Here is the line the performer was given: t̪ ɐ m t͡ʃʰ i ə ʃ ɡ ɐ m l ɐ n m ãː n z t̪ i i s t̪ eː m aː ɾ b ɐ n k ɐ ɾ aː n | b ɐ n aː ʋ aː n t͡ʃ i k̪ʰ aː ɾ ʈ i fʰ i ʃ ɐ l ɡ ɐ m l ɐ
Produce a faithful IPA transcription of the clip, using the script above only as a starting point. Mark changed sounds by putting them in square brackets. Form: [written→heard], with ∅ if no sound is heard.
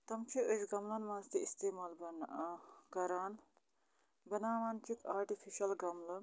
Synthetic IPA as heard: t̪ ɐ m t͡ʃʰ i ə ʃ ɡ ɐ m l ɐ n m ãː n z t̪ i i s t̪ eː m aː [ɾ→l] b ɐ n k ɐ ɾ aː n | b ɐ n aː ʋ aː n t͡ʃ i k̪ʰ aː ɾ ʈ i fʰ i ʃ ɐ l ɡ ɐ m l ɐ